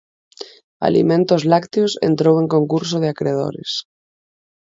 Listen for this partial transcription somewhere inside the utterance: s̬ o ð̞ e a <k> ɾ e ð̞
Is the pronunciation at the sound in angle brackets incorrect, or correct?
correct